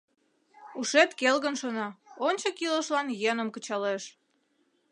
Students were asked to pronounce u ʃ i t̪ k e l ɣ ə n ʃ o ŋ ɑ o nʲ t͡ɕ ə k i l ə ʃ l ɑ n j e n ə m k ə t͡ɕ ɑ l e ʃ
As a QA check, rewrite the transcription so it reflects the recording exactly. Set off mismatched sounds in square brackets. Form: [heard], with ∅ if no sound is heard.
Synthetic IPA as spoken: u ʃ [e] t̪ k e l ɣ ə n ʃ o [n] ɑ o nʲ t͡ɕ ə k i l ə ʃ l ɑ n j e n ə m k ə t͡ɕ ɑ l e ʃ